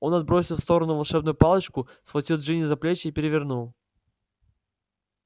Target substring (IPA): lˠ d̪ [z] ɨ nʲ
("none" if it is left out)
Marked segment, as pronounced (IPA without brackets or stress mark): ʐ